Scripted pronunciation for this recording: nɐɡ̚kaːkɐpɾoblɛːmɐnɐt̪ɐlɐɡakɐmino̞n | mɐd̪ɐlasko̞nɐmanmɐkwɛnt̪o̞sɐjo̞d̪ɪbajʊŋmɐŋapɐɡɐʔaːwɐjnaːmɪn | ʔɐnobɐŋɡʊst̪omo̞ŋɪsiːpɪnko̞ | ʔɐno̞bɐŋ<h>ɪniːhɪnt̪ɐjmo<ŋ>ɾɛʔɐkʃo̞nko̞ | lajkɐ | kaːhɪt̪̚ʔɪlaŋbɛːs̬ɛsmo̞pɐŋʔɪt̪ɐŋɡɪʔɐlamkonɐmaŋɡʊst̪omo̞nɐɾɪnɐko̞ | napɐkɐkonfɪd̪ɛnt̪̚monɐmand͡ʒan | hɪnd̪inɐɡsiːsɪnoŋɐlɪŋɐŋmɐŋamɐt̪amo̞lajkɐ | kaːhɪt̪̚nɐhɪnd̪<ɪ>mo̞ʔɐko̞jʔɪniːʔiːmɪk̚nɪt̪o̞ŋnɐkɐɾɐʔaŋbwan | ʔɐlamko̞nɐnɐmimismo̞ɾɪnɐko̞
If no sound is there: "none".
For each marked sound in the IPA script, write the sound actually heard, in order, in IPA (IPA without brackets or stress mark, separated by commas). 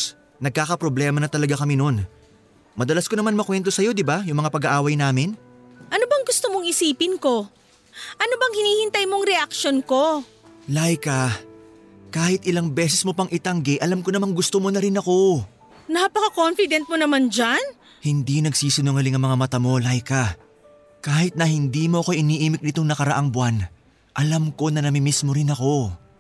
h, ŋ, i